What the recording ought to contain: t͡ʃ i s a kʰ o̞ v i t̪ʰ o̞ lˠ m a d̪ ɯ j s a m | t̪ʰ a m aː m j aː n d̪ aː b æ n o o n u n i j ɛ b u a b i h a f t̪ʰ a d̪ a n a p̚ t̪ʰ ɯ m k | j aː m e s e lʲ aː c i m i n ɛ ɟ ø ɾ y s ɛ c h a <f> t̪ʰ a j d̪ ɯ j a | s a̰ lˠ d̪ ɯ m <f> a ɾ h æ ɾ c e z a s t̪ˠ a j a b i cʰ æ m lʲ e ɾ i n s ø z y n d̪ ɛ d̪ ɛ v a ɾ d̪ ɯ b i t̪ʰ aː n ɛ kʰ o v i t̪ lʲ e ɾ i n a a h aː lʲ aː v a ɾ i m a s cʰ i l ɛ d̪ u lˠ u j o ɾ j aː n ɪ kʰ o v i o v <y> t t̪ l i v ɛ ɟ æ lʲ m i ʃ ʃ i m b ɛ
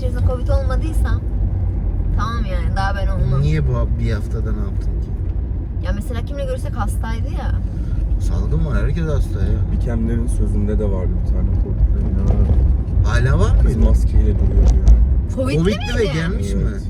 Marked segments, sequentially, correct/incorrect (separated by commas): incorrect, incorrect, incorrect